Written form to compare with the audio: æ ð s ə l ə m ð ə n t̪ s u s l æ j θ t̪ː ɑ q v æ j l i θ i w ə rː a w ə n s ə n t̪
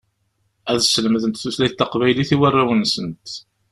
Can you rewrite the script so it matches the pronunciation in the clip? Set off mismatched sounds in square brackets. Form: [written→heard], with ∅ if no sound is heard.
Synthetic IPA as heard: æ ð s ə l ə m ð ə n t̪ [s→θ] u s l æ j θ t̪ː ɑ q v æ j l i θ i w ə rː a w ə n s ə n t̪